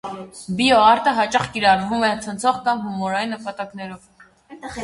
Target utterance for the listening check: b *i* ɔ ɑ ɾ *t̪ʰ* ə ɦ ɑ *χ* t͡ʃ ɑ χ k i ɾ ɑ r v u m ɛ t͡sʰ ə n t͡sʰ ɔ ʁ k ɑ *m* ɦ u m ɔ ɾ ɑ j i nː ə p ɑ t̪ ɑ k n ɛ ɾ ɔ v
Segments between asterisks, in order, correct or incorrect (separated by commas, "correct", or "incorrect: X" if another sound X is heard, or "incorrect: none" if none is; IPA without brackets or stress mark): correct, incorrect: t̪, incorrect: none, correct